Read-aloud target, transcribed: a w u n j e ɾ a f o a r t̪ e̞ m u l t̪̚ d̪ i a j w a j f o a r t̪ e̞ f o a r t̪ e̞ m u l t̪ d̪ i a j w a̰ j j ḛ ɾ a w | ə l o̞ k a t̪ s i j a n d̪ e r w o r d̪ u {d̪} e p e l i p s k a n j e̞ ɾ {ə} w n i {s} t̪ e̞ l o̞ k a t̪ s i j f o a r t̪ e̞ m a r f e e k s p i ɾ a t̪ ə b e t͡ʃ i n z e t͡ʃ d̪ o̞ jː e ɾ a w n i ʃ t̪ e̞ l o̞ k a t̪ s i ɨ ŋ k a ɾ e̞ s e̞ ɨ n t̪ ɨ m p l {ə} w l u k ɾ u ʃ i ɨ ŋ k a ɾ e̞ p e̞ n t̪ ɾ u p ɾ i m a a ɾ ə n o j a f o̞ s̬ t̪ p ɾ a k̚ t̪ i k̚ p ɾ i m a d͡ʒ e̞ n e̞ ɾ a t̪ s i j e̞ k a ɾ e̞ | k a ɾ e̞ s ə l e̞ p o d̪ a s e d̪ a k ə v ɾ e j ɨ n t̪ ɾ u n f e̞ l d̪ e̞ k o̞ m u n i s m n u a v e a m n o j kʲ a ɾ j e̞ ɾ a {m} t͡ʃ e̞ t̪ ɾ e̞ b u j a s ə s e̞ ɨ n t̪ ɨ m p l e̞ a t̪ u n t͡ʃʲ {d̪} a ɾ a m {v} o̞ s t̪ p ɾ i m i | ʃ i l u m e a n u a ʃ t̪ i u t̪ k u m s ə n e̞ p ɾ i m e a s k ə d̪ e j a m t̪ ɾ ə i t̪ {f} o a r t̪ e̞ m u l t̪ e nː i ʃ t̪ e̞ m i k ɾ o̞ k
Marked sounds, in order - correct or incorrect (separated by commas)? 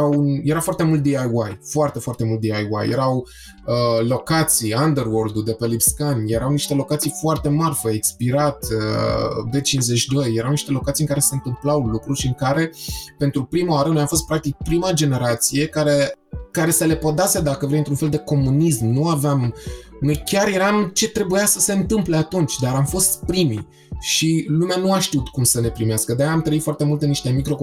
correct, incorrect, incorrect, incorrect, correct, correct, incorrect, correct